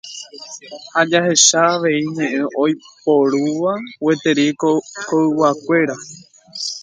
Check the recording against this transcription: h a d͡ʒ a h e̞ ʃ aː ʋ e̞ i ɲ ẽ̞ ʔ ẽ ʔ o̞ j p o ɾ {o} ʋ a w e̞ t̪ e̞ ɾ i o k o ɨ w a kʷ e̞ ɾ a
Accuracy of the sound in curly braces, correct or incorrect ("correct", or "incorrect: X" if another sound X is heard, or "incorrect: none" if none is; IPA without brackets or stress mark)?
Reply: incorrect: u